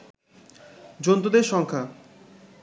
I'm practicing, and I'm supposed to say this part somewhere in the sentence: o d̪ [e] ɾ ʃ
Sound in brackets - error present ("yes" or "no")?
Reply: no